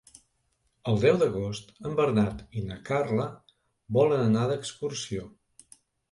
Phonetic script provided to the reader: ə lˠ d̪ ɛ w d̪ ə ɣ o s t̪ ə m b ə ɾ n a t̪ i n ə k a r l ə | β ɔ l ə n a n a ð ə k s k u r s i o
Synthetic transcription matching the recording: ə lˠ d̪ ɛ w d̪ ə ɣ o s t̪ ə m b ə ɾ n a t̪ i n ə k a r l ə | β ɔ l ə n ə n a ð ə k s k u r s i o